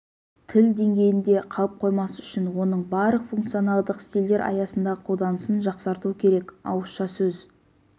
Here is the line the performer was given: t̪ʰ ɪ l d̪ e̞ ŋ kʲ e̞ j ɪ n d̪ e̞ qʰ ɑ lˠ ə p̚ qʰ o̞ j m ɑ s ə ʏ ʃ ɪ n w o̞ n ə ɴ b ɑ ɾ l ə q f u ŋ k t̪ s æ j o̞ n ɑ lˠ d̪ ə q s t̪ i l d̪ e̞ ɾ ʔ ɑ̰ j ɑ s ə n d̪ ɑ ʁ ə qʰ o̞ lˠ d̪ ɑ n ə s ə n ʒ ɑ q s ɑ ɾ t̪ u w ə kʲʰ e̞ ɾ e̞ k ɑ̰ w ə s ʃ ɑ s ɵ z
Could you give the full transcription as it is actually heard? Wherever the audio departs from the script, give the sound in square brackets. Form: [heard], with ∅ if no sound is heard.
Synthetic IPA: t̪ʰ ɪ l d̪ e̞ ŋ [ɡʲ] e̞ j ɪ n d̪ e̞ qʰ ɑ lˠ ə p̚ qʰ o̞ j m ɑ s ə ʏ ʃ ɪ n w o̞ n ə ɴ b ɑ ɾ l ə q f u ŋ k t̪ s [i] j o̞ n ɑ lˠ d̪ ə q s t̪ i l d̪ e̞ ɾ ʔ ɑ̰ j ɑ s ə n d̪ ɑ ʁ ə qʰ o̞ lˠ d̪ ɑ n ə s ə n ʒ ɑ q s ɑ ɾ t̪ u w ə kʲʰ e̞ ɾ e̞ k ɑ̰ w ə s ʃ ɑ s ɵ z